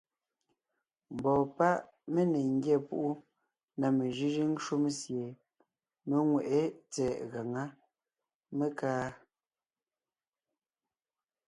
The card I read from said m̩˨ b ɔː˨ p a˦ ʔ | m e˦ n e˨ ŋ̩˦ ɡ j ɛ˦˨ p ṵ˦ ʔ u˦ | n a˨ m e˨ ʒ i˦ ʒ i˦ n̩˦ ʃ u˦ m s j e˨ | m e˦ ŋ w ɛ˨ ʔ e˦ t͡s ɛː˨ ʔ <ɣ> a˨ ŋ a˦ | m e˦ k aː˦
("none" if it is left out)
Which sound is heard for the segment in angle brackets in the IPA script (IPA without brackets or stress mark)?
ɣ